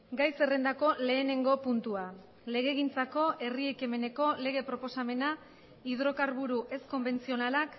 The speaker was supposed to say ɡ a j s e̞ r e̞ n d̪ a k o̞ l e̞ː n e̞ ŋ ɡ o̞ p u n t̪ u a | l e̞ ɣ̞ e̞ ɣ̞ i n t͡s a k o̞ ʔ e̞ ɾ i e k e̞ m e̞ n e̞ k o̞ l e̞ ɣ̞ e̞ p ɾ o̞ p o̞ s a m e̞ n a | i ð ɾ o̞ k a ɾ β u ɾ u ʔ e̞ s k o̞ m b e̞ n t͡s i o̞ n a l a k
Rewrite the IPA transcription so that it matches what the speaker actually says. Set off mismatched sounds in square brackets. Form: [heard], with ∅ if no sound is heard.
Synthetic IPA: ɡ a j s e̞ r e̞ n d̪ a k o̞ l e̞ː n e̞ ŋ ɡ o̞ p u n t̪ u a | l e̞ ɣ̞ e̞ ɣ̞ i n t͡s a k o̞ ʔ e̞ [r] i e k e̞ m e̞ n e̞ k o̞ l e̞ ɣ̞ e̞ p ɾ o̞ p o̞ s a m e̞ n a | i ð ɾ o̞ k a ɾ β u ɾ u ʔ e̞ s k o̞ m b e̞ n t͡s i o̞ n a l a k